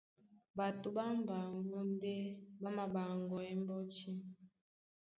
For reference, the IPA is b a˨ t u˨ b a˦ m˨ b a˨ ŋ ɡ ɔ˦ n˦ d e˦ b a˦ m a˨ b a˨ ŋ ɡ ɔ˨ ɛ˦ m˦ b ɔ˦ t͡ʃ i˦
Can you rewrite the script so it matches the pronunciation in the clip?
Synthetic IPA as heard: b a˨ t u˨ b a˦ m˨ b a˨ ŋ ɡ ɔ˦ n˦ d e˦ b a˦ m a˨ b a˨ ŋ ɡ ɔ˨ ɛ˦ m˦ b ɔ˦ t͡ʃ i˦